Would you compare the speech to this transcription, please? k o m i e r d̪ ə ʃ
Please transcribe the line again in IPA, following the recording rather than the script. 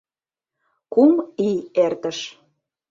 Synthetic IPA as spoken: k u m i e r t̪ ə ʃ

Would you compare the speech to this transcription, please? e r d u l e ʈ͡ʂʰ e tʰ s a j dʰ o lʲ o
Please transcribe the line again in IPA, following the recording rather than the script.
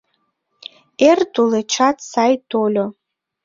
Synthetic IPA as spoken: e r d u l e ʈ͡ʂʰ a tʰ s a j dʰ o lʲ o

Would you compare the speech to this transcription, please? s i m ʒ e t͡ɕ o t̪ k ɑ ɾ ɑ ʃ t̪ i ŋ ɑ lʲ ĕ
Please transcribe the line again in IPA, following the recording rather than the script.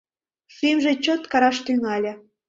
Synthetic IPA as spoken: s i m ʒ e t͡ɕ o t̪ k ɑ ɾ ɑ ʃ t̪ y ŋ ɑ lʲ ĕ

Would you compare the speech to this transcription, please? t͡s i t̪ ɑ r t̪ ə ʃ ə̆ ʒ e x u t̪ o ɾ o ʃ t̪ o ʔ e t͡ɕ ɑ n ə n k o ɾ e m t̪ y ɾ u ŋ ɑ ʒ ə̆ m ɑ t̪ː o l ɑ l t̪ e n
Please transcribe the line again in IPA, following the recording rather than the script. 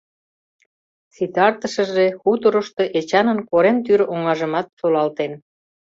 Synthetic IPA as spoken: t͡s i t̪ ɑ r t̪ ə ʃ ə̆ ʒ e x u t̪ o ɾ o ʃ t̪ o ʔ e t͡ɕ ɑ n ə n k o ɾ e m t̪ y ɾ o ŋ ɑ ʒ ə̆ m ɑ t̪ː o l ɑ l t̪ e n

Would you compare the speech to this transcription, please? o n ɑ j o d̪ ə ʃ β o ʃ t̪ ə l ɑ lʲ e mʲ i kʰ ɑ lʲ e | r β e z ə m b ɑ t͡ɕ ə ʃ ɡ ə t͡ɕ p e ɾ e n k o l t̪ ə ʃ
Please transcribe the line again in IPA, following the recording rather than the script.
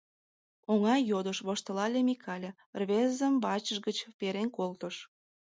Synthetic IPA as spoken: o ŋ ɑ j o d̪ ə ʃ β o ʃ t̪ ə l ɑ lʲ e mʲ i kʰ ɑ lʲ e | r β e z ə m b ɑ t͡ɕ ə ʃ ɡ ə t͡ɕ p e ɾ e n k o l t̪ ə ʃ

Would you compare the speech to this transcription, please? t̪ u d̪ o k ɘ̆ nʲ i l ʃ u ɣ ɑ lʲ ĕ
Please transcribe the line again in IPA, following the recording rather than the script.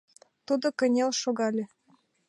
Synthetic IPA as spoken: t̪ u d̪ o k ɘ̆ nʲ e l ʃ o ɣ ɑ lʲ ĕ

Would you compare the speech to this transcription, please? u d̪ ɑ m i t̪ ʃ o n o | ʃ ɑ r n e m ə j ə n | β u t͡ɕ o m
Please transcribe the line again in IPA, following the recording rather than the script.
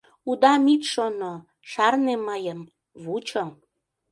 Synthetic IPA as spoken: u d̪ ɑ m i t̪ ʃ o n o | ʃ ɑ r n e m ə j ə m | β u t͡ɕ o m

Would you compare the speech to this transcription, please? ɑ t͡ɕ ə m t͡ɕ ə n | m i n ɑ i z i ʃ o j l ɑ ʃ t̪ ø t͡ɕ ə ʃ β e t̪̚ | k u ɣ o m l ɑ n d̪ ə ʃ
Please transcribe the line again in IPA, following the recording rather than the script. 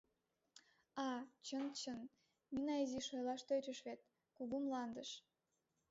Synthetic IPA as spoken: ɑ t͡ɕ ə n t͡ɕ ə n | m i n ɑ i z i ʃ o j l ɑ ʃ t̪ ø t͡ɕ ə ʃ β e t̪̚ | k u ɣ u m l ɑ n d̪ ə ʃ

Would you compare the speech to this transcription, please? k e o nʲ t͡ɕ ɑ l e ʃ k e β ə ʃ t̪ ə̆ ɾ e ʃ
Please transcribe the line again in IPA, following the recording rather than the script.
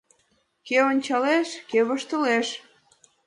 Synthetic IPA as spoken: k e o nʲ t͡ɕ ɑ l e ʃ k e β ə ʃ t̪ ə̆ l e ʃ

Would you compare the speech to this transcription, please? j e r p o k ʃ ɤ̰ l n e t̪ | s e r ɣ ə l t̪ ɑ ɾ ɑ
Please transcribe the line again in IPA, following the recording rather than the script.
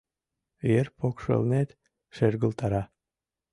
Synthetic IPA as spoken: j e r p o k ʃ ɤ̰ l n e t̪ | ʃ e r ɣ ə l t̪ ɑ ɾ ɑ

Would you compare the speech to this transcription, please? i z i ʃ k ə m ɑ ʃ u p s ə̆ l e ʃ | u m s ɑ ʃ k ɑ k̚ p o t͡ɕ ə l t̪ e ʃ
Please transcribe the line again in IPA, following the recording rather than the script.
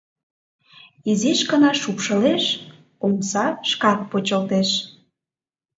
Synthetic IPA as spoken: i z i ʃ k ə n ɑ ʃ u p ʃ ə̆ l e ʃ | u m s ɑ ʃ k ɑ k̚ p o t͡ɕ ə l t̪ e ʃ

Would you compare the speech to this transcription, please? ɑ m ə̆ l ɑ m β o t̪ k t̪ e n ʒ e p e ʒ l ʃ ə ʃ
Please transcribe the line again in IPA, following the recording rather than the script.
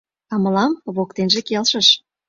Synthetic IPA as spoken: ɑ m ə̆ l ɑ m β o k t̪ e n ʒ e k e l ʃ ə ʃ

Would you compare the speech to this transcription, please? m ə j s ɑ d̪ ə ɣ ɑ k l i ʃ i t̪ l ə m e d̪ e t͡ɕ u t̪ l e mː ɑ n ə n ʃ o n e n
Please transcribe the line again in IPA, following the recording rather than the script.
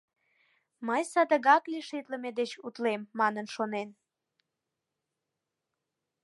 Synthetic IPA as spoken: m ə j s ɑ d̪ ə ɣ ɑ k l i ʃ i t̪ l ə m e d̪ e t͡ɕ u t̪ l e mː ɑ n ə n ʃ o n e n

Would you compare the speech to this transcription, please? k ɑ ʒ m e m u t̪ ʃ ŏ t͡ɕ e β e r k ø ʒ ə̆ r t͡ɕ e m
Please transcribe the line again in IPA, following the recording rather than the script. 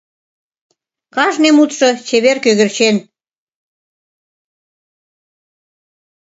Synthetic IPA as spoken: k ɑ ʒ n e m u t̪ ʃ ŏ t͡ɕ e β e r k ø ɣ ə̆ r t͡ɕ e n

